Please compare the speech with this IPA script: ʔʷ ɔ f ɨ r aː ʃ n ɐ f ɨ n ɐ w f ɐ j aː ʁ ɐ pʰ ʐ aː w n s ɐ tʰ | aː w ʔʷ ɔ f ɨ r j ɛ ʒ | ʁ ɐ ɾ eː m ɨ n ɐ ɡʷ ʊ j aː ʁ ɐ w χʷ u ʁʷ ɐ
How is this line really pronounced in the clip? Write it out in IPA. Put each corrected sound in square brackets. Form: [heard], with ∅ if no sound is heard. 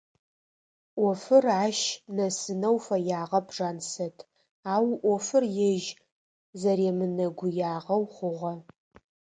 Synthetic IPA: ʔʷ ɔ f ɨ r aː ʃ n ɐ [s] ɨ n ɐ w f ɐ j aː ʁ ɐ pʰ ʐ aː [∅] n s ɐ tʰ | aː w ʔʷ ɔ f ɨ r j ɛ ʒ | [z] ɐ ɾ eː m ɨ n ɐ ɡʷ ʊ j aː ʁ ɐ w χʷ [ʊ] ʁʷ ɐ